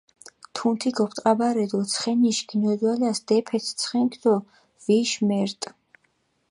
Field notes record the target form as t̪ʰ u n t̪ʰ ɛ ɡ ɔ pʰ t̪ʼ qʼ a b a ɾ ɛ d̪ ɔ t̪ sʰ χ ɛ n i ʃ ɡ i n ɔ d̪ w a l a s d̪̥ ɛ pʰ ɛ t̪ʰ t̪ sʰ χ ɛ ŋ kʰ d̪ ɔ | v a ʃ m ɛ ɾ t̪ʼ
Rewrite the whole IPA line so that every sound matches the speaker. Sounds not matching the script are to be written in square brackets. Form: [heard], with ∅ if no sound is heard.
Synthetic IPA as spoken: t̪ʰ u n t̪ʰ [i] ɡ ɔ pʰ t̪ʼ qʼ a b a ɾ ɛ d̪ ɔ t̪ sʰ χ ɛ n i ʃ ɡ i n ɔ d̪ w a l a s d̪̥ ɛ pʰ ɛ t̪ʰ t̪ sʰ χ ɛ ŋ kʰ d̪ ɔ | v [i] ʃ m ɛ ɾ t̪ʼ